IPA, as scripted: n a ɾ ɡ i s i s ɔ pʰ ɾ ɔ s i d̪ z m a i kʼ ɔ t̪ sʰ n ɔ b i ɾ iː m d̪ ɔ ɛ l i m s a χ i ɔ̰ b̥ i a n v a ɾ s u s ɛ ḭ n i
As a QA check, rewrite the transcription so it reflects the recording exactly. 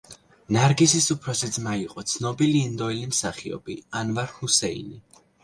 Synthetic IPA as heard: n a ɾ ɡ i s i s u pʰ ɾ ɔ s i d̪ z m a i qʼ ɔ t̪ sʰ n ɔ b i l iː n d̪ ɔ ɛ l i m s a χ i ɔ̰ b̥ i a n v a ɾ h u s ɛ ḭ n i

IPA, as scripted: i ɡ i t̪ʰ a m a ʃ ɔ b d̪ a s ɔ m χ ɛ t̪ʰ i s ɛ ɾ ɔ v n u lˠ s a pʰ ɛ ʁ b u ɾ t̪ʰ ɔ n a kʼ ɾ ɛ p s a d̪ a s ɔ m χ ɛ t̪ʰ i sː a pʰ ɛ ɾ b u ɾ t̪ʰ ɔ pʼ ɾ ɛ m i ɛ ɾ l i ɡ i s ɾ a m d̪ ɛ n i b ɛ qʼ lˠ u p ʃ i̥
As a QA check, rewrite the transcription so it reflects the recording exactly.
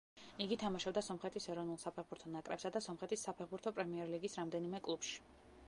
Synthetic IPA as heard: i ɡ i t̪ʰ a m a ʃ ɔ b d̪ a s ɔ m χ ɛ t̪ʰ i s ɛ ɾ ɔ v n u lˠ s a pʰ ɛ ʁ b u ɾ t̪ʰ ɔ n a kʼ ɾ ɛ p s a d̪ a s ɔ m χ ɛ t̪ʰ i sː a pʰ ɛ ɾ b u ɾ t̪ʰ ɔ pʼ ɾ ɛ m i ɛ ɾ l i ɡ i s ɾ a m d̪ ɛ n i m ɛ kʼ lˠ u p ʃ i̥

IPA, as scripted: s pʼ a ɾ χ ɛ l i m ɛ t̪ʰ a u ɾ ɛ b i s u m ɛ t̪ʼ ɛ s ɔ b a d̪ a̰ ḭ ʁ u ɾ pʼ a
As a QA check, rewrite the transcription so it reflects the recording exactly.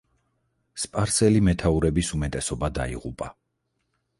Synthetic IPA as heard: s pʼ a ɾ s ɛ l i m ɛ t̪ʰ a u ɾ ɛ b i s u m ɛ t̪ʼ ɛ s ɔ b a d̪ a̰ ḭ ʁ u pʼ a

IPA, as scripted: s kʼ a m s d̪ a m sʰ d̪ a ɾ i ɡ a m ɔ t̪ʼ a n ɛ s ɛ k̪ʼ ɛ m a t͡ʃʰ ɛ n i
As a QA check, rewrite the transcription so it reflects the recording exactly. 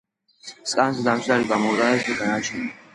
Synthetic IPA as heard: s kʼ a n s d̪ a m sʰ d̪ a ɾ i ɡ a m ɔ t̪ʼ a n ɛ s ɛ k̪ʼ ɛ n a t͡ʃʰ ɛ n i

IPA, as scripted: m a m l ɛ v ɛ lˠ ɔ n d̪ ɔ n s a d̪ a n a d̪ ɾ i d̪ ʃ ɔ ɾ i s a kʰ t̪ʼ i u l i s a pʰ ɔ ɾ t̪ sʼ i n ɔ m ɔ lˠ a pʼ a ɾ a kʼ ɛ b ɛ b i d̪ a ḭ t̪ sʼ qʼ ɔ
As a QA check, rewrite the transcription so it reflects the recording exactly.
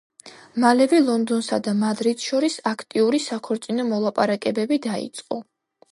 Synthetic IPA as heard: m a l ɛ v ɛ lˠ ɔ n d̪ ɔ n s a d̪ a m a d̪ ɾ i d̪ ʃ ɔ ɾ i s a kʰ t̪ʼ i u ɾ i s a kʰ ɔ ɾ t̪ sʼ i n ɔ m ɔ lˠ a pʼ a ɾ a kʼ ɛ b ɛ b i d̪ a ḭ t̪ sʼ qʼ ɔ

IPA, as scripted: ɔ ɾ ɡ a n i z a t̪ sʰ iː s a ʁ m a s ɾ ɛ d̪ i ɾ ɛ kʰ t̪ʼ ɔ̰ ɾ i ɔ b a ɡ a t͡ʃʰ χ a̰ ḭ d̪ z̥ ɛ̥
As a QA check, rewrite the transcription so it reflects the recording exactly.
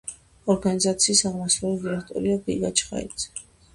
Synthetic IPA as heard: ɔ ɾ ɡ a n i z a t̪ sʰ iː s a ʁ m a s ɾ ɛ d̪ i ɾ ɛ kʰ t̪ʼ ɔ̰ ɾ i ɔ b i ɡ a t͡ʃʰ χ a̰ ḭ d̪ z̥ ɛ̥

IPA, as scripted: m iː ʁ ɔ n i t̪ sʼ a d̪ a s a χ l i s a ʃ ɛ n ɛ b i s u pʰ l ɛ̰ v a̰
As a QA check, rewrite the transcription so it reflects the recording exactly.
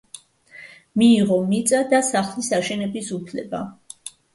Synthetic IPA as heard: m iː ʁ ɔ m i t̪ sʼ a d̪ a s a χ l i s a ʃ ɛ n ɛ b i s u pʰ l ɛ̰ b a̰

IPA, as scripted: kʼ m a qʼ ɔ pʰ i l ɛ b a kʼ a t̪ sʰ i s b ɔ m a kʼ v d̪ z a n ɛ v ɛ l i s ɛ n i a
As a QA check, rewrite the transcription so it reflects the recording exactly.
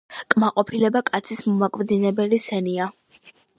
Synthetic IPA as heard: kʼ m a qʼ ɔ pʰ i l ɛ b a kʼ a t̪ sʰ i s m ɔ m a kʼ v d̪ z i n ɛ b ɛ l i s ɛ n i a

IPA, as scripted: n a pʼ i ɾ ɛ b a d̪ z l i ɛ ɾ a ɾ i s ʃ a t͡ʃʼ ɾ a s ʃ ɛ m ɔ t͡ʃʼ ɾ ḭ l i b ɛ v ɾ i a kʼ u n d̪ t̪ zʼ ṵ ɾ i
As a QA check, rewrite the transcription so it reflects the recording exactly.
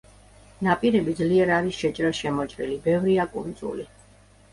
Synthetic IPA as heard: n a pʼ i ɾ ɛ b i d̪ z l i ɛ ɾ a ɾ i s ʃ ɛ t͡ʃʼ ɾ a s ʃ ɛ m ɔ t͡ʃʼ ɾ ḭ l i b ɛ v ɾ i a kʼ u n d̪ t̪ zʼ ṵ l i

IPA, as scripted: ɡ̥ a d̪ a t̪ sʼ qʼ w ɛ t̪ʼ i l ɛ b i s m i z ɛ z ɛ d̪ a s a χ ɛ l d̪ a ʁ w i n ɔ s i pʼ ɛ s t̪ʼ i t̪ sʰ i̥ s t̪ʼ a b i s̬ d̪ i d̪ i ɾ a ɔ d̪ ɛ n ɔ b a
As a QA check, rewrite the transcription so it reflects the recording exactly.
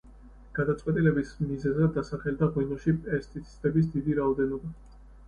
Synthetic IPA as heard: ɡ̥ a d̪ a t̪ sʼ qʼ w ɛ t̪ʼ i l ɛ b i s m i z ɛ z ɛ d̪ a s a χ ɛ l d̪ a ʁ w i n ɔ ʃ i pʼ ɛ s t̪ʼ i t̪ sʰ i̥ s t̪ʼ ɛ b i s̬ d̪ i d̪ i ɾ a ɔ d̪ ɛ n ɔ b a

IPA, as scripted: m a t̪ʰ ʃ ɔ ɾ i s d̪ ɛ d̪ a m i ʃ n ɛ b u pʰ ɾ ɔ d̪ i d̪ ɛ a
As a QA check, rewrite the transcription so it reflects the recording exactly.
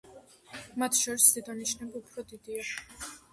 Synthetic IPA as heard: m a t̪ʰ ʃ ɔ ɾ i s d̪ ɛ d̪ a n i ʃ n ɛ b u pʰ ɾ ɔ d̪ i d̪ i a

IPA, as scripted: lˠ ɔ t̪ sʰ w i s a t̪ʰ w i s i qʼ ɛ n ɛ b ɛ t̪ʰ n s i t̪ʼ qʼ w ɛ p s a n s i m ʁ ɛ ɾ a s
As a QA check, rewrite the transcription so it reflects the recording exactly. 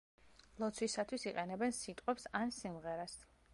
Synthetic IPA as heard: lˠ ɔ t̪ sʰ w i s a t̪ʰ w i s i qʼ ɛ n ɛ b ɛ n s i t̪ʼ qʼ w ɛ p s a n s i m ʁ ɛ ɾ a s

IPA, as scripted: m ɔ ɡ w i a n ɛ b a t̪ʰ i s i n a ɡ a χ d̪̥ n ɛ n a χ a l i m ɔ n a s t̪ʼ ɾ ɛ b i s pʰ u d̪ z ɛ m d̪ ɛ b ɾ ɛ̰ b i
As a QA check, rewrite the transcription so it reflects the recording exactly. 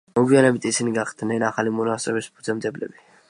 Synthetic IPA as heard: m ɔ ɡ w i a n ɛ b i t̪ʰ i s i n i ɡ a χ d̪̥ n ɛ n a χ a l i m ɔ n a s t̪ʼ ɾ ɛ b i s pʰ u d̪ z ɛ m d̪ ɛ b l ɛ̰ b i

